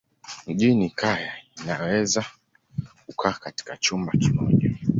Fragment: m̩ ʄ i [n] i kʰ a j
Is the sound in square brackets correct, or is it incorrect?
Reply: correct